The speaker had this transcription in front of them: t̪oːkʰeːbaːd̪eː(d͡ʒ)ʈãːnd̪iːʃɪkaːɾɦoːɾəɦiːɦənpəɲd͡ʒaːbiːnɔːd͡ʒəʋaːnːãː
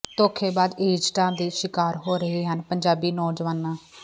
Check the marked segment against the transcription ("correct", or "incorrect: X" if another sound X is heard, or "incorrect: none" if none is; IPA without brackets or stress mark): correct